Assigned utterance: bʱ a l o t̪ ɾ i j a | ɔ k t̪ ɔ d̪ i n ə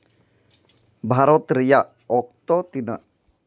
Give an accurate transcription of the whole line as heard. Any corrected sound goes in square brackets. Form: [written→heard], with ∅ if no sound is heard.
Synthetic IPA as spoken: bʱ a [l→ɾ] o t̪ ɾ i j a | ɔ k t̪ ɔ [d̪→t̪] i n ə